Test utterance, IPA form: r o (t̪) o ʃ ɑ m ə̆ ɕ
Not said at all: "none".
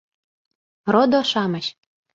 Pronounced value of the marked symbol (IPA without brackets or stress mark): d̪